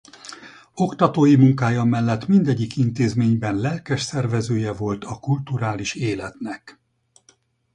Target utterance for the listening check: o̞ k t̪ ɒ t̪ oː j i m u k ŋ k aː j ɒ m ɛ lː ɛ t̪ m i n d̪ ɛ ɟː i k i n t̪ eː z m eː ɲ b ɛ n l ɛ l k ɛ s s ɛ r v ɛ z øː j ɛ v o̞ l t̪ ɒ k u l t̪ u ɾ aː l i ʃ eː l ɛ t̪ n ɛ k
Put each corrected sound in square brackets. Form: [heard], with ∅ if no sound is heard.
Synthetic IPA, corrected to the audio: o̞ k t̪ ɒ t̪ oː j i m u [∅] ŋ k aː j ɒ m ɛ lː ɛ t̪ m i n d̪ ɛ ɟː i k i n t̪ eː z m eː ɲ b ɛ n l ɛ l k ɛ [ʃ] s ɛ r v ɛ z øː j ɛ v o̞ l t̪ ɒ k u l t̪ u ɾ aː l i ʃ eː l ɛ t̪ n ɛ k